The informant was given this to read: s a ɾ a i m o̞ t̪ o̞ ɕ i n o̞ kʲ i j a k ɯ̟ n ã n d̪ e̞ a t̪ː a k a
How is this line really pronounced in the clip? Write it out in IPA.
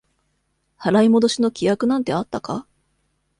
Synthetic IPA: h a ɾ a i m o̞ d̪ o̞ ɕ i n o̞ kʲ i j a k ɯ̟ n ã n t̪ e̞ a t̪ː a k a